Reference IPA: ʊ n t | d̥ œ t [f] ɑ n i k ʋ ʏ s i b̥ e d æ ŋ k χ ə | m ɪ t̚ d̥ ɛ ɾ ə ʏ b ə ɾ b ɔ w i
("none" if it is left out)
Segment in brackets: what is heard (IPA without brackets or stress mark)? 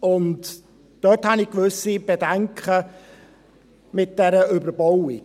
h